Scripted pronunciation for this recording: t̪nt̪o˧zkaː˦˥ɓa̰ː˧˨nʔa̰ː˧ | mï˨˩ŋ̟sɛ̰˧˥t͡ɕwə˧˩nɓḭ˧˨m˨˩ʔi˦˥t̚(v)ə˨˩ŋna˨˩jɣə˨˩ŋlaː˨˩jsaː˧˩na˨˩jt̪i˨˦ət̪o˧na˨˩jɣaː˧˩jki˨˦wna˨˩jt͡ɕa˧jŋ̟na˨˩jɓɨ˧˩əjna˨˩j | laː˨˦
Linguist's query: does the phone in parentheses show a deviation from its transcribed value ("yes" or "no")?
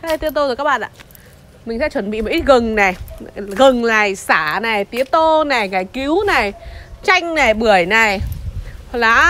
yes